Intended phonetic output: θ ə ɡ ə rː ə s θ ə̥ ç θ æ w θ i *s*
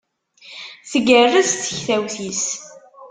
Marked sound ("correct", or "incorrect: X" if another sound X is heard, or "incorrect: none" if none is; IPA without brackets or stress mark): correct